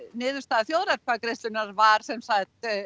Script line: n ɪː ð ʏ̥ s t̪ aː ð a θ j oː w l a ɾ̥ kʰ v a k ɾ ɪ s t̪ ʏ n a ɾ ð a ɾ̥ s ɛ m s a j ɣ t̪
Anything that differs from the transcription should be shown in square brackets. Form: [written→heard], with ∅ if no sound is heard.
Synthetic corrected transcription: n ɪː ð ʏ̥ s t̪ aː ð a θ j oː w [l→ɾ] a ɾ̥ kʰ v a k ɾ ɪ s t̪ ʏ n a ɾ [ð→v] a ɾ̥ s ɛ m s a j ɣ t̪

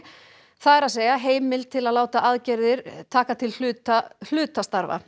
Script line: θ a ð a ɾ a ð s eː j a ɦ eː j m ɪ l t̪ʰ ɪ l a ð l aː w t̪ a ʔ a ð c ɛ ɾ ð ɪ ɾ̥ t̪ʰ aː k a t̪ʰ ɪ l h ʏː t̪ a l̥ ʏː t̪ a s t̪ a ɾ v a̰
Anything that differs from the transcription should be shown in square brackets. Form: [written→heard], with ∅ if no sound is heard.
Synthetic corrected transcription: θ a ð [a→ɛ] ɾ a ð s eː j a ɦ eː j m ɪ l t̪ʰ ɪ l a ð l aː w t̪ a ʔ a ð c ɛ ɾ ð ɪ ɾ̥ t̪ʰ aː k a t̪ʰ ɪ l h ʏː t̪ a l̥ ʏː t̪ a s t̪ a ɾ v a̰

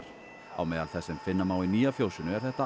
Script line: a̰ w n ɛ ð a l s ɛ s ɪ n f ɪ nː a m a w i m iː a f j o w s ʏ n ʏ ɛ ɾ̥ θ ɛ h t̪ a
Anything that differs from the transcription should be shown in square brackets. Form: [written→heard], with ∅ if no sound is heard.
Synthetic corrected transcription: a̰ w [n→m] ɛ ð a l [s→θ] ɛ s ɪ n f ɪ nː a m a w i [m→n] iː a f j o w s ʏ n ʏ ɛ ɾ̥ θ ɛ h t̪ a

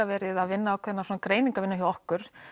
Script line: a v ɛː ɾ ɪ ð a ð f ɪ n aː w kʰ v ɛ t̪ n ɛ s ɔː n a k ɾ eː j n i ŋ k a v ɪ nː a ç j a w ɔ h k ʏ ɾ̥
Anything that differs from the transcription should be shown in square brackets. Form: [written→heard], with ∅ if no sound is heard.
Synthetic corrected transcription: a v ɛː ɾ ɪ ð a ð [f→v] ɪ [n→nː] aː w kʰ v ɛ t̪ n [ɛ→a] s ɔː n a k ɾ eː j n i ŋ k a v ɪ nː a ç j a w ɔ h k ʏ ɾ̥

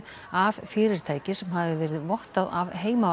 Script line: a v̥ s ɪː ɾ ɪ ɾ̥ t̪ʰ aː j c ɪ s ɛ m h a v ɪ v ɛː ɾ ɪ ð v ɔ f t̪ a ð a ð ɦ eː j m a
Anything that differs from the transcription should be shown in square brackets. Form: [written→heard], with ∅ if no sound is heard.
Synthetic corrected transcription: a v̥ [s→f] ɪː ɾ ɪ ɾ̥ t̪ʰ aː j c ɪ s ɛ m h a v ɪ v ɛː ɾ ɪ ð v ɔ [f→h] t̪ a ð a [ð→v] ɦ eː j m a

